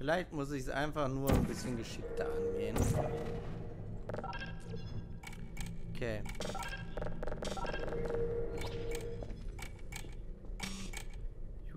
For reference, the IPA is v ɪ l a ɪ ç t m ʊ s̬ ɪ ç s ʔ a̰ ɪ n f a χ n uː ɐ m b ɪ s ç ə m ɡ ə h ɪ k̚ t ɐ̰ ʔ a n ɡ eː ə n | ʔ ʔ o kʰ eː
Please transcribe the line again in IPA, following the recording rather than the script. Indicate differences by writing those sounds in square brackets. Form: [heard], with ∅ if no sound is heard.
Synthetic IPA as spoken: [f] ɪ l a ɪ ç t m ʊ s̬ ɪ ç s ʔ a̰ ɪ n f a χ n uː ɐ [n] b ɪ s ç ə [n] ɡ ə [ʃ] ɪ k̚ t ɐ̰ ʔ a n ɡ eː ə n | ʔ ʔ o kʰ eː